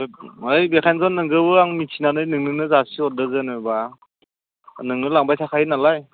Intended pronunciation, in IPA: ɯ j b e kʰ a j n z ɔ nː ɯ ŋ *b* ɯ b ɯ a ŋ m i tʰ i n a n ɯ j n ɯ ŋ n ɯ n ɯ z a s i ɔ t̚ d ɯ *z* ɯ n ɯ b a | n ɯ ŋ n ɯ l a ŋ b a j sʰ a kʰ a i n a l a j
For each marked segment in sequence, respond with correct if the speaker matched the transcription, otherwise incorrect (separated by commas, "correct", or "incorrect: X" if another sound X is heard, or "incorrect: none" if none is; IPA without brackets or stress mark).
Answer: incorrect: ɡ, correct